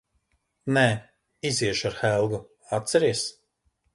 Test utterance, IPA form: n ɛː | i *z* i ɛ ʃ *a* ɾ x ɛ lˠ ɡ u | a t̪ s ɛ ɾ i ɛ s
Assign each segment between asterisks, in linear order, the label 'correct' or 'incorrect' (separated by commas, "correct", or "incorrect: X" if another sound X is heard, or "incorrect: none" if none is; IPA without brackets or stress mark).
correct, correct